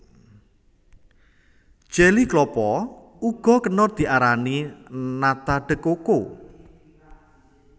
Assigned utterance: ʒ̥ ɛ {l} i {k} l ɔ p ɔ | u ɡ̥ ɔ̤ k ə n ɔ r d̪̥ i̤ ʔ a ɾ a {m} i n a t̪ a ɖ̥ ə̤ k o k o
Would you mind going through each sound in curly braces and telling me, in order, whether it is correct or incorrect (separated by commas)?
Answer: correct, correct, incorrect